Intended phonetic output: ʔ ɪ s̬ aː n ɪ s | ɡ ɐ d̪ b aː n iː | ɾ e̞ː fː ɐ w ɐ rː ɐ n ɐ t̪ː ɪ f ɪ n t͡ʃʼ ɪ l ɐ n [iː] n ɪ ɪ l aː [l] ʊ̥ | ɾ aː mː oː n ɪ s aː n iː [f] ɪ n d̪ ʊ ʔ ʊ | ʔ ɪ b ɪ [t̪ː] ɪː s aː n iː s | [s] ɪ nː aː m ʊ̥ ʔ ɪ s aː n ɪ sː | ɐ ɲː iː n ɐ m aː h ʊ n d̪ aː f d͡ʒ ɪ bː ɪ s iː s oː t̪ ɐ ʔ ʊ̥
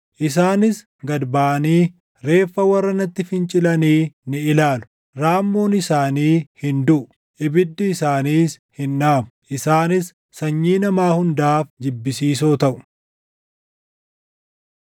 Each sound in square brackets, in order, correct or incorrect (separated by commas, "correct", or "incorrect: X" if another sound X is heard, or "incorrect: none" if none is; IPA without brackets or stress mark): correct, correct, incorrect: h, incorrect: d̪ː, incorrect: h